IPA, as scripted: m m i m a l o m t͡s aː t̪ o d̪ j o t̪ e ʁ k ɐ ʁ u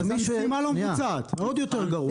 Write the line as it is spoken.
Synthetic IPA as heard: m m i m a l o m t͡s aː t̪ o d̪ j o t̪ e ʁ ɡ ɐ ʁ u